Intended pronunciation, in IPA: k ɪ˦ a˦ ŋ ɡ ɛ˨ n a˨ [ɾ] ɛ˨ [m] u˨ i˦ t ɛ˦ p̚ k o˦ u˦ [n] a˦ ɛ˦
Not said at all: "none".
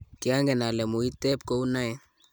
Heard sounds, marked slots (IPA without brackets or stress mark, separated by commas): l, m, n